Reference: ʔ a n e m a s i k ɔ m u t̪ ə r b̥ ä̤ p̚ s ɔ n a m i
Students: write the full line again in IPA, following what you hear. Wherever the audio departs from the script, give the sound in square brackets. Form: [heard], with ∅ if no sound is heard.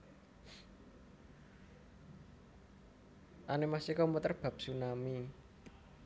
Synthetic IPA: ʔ a n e m a s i k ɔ m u t̪ ə r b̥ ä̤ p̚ s [u] n a m i